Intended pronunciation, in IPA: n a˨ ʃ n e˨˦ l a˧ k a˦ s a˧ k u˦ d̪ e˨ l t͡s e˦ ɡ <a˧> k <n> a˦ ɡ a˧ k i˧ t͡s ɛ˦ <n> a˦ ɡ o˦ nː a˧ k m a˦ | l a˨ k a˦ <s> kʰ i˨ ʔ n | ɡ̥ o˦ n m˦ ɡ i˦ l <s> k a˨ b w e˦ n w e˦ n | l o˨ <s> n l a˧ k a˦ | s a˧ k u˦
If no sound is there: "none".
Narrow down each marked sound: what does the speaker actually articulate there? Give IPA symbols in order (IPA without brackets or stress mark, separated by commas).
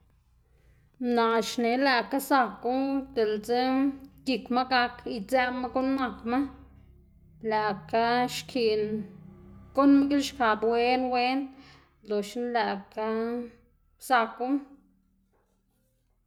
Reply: i˧, m, m, ʃ, ʃ, ʃ